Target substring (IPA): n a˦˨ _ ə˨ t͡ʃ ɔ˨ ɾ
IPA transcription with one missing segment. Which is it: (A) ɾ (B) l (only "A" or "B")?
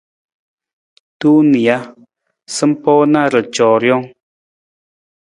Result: A